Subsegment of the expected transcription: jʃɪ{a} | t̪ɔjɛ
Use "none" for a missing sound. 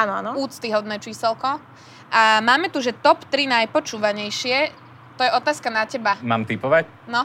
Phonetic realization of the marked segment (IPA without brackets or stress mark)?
ɛ